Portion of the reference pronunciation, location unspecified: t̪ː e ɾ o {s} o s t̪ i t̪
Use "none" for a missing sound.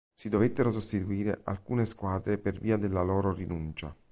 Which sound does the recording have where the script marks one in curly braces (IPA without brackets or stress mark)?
s